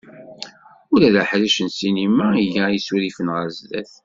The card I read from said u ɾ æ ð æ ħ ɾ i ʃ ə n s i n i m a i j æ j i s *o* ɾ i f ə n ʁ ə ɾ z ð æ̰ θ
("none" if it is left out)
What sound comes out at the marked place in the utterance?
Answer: u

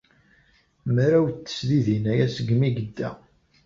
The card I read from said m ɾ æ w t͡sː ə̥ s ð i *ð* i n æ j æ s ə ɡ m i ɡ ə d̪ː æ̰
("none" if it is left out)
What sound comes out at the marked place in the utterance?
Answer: ð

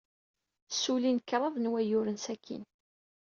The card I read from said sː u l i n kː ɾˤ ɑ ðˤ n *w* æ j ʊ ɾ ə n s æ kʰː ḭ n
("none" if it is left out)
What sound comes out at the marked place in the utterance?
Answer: w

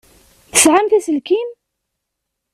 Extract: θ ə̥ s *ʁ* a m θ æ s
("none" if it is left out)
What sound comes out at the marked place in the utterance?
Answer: ʕ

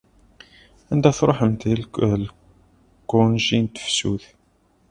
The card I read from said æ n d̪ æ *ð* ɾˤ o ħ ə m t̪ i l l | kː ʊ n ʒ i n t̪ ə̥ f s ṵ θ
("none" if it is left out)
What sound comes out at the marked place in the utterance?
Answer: θ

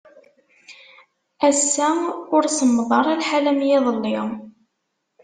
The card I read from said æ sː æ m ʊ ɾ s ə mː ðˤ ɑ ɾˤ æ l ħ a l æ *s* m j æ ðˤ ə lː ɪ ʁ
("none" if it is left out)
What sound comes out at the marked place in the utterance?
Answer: none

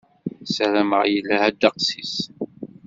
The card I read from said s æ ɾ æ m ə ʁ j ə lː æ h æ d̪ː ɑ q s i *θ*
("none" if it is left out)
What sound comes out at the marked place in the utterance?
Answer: s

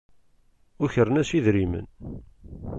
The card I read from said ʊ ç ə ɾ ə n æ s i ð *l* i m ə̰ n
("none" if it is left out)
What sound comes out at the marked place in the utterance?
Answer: ɾ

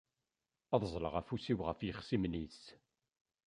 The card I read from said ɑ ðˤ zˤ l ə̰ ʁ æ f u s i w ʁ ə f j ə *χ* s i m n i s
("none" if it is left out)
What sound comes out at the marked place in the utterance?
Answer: χ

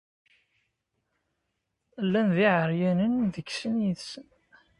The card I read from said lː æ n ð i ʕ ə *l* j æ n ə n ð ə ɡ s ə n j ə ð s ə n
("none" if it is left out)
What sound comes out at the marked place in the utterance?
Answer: ɾ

